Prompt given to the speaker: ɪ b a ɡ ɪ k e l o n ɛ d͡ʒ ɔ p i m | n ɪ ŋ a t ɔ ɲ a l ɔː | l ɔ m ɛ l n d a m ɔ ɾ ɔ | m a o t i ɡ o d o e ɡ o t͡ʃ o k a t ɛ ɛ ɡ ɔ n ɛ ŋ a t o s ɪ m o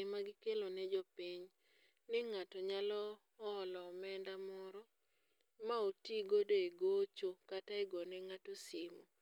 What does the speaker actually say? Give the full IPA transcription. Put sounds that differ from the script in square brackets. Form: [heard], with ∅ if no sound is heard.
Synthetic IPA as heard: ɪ [m] a ɡ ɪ k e l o n ɛ d͡ʒ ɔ p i [ɲ] | n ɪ ŋ a t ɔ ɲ a l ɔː | l ɔ m ɛ [∅] n d a m ɔ ɾ ɔ | m a o t i ɡ o d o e ɡ o t͡ʃ o k a t [a] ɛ ɡ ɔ n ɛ ŋ a t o s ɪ m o